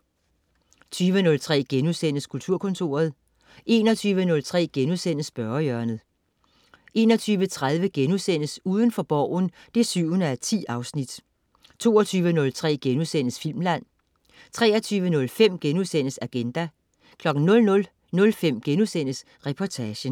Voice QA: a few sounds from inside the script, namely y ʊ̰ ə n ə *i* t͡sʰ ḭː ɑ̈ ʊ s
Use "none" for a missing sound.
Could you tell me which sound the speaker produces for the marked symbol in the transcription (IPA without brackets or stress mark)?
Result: æ